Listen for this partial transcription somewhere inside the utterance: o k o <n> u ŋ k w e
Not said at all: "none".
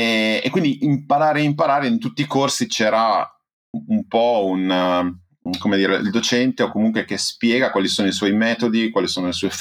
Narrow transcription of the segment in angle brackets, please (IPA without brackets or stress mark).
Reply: m